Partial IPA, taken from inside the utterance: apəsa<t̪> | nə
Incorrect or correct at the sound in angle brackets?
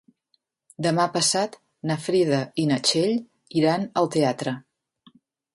correct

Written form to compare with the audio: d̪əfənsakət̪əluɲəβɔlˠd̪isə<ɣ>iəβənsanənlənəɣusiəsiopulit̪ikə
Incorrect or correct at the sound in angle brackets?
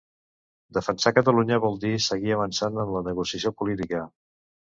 correct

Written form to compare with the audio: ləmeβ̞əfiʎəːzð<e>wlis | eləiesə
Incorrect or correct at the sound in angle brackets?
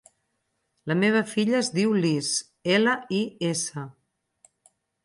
incorrect: i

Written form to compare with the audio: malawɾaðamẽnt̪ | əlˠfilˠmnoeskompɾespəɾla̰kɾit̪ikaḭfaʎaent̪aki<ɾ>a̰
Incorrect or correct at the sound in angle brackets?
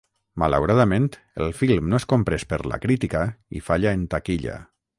incorrect: ʎ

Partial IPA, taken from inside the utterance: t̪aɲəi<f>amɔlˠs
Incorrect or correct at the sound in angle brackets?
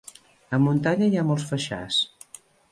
incorrect: none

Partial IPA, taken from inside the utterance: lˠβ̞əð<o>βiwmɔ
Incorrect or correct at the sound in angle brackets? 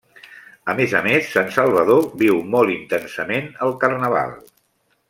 correct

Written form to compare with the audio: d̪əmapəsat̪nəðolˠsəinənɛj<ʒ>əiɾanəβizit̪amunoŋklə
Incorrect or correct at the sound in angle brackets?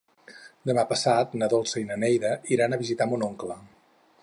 incorrect: ð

